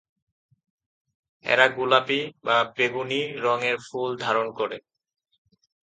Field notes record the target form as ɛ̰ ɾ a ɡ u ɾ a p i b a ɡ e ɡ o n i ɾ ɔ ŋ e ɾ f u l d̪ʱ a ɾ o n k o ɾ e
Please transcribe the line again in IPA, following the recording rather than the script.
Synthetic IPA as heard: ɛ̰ ɾ a ɡ u l a p i b a b e ɡ u n i ɾ ɔ ŋ e ɾ f u l d̪ʱ a ɾ o n k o ɾ e